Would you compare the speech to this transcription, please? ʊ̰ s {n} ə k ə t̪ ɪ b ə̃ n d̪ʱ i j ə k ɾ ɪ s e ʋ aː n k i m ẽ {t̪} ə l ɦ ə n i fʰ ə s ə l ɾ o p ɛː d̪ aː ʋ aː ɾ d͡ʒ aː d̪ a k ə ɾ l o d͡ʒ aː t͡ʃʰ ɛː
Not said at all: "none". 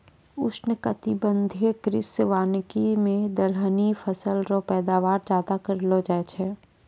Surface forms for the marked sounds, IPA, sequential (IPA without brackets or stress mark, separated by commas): n, d̪